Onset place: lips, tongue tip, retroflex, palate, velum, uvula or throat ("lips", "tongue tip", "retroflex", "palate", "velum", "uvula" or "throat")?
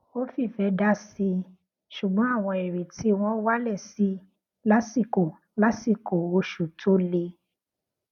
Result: lips